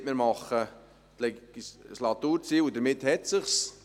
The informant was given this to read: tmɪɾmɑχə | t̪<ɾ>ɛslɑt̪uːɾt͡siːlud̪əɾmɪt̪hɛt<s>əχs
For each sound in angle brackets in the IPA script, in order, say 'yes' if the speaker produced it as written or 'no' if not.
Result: no, yes

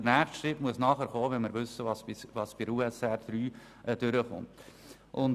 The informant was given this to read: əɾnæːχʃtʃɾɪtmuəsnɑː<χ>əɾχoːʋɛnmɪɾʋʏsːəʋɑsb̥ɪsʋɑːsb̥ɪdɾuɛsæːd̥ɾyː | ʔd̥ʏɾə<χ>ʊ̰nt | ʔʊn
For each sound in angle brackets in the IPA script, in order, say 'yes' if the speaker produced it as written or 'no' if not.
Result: yes, yes

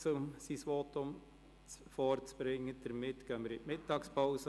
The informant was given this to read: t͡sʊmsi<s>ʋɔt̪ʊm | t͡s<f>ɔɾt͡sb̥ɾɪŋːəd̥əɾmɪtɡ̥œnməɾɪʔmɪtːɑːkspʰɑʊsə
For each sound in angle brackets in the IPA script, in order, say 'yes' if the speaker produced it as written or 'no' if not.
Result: yes, yes

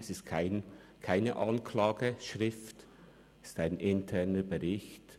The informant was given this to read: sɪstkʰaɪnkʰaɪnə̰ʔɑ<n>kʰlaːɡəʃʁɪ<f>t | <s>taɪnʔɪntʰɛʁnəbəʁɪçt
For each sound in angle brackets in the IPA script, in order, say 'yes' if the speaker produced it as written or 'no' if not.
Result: yes, yes, yes

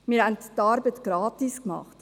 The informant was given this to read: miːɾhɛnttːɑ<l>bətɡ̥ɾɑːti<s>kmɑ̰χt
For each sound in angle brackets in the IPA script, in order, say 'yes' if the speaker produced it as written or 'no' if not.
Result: no, yes

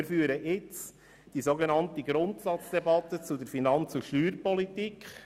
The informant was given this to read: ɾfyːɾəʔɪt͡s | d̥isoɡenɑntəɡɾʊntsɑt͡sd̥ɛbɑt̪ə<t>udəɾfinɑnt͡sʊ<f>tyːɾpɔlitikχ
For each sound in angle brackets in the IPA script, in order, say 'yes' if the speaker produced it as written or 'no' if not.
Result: no, no

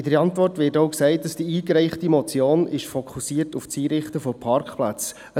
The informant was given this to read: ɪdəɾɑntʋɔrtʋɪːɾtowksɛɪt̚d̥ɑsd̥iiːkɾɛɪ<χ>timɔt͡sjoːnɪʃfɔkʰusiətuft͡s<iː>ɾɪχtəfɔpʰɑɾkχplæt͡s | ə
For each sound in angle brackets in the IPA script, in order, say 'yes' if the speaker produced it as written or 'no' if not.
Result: yes, yes

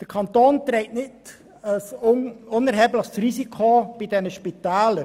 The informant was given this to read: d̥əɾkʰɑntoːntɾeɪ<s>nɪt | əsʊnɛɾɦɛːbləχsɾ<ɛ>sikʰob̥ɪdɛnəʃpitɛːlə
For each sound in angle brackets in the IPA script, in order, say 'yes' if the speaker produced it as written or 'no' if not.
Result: no, no

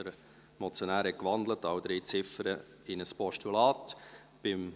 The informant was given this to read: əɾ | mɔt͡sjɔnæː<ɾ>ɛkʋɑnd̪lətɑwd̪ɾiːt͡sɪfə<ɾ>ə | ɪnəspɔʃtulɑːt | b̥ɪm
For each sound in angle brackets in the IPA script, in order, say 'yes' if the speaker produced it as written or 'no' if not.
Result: yes, yes

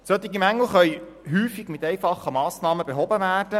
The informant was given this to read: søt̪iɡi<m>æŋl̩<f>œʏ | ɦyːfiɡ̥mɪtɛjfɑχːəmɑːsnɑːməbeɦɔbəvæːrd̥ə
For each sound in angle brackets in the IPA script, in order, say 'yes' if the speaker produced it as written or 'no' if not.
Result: yes, no

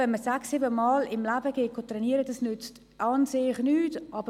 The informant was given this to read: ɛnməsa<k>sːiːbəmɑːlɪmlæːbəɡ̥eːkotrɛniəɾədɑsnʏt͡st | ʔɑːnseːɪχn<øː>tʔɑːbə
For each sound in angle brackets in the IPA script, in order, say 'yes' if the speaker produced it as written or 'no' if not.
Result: yes, no

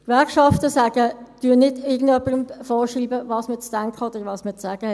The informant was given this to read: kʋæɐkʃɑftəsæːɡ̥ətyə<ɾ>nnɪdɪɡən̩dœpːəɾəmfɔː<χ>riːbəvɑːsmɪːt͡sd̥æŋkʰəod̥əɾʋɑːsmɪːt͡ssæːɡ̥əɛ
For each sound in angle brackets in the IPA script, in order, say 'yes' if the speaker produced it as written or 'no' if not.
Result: no, no

